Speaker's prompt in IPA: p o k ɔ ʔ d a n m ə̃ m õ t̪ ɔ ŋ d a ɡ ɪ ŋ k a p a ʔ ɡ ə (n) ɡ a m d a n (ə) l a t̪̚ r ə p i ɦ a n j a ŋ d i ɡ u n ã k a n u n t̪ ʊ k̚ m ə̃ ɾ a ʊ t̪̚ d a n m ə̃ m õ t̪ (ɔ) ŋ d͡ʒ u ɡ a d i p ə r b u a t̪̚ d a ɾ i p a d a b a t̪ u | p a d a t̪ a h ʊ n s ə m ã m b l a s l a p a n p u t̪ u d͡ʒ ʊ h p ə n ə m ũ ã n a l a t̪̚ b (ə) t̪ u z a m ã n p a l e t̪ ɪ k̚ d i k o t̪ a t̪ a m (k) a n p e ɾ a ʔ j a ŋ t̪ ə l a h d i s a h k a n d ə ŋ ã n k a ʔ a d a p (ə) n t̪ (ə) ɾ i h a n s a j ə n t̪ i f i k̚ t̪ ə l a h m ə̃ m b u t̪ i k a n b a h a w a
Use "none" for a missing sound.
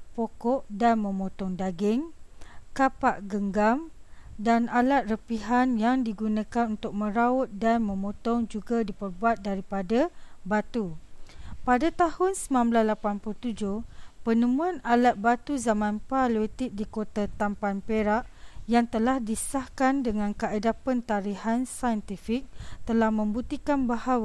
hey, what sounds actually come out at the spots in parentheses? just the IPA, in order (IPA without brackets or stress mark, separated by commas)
ŋ, a, ɔ, a, p, ə, a